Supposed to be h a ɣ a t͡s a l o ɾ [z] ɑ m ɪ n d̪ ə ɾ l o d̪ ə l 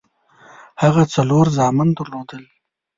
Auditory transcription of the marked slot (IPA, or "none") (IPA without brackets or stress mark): z